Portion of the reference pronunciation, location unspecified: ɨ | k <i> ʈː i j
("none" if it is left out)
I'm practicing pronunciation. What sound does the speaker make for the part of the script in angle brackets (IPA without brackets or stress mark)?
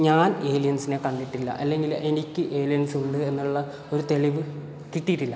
i